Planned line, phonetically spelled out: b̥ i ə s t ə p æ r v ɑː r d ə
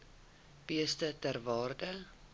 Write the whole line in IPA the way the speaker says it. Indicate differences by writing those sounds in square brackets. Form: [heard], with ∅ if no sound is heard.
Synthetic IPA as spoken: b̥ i ə s t ə [t] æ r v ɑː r d ə